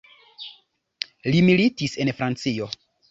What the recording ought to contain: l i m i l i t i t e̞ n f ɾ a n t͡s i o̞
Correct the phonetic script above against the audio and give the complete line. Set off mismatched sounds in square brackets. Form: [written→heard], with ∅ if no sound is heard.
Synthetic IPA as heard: l i m i l i t i [t→s] e̞ n f ɾ a n t͡s i o̞